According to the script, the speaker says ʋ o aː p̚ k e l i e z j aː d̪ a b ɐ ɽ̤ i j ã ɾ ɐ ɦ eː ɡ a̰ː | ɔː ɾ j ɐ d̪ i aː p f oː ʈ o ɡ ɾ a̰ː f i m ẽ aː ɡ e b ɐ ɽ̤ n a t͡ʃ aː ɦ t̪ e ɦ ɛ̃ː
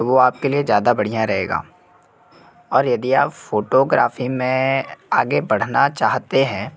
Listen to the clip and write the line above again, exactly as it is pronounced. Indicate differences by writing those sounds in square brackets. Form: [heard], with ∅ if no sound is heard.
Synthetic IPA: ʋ o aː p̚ k e l i e z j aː d̪ a b ɐ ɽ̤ i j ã ɾ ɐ ɦ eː ɡ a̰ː | ɔː ɾ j ɐ d̪ i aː p f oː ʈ o ɡ ɾ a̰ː f i m ẽ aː ɡ e b ɐ ɽ̤ n a t͡ʃ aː ɦ t̪ e ɦ ɛ̃ː